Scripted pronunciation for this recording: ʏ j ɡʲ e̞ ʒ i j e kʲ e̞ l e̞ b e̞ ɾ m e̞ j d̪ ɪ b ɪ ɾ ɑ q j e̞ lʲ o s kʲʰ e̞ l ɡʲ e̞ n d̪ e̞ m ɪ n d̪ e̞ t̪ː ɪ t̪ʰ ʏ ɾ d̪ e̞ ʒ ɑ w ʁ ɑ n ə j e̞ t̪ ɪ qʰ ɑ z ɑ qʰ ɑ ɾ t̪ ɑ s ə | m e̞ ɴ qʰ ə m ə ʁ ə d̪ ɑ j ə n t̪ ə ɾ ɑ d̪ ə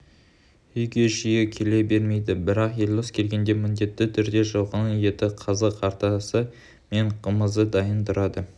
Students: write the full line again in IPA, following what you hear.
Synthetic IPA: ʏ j ɡʲ e̞ ʒ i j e kʲʰ e̞ l e̞ b e̞ ɾ m e̞ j d̪ ɪ b ɪ ɾ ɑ q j e̞ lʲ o s kʲʰ e̞ l ɡʲ e̞ n d̪ e̞ m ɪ n d̪ e̞ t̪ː ɪ t̪ʰ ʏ ɾ d̪ e̞ ʒ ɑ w ʁ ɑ n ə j e̞ t̪ ɪ qʰ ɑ z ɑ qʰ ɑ ɾ t̪ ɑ s ə | m e̞ ɴ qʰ ə m ə z ə d̪ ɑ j ə n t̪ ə ɾ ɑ d̪ ə